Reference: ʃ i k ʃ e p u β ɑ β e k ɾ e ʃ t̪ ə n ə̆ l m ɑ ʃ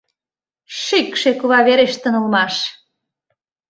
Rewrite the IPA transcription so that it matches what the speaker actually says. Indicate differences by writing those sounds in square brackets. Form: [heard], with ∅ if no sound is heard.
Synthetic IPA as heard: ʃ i k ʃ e [k] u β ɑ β e [∅] ɾ e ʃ t̪ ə n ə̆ l m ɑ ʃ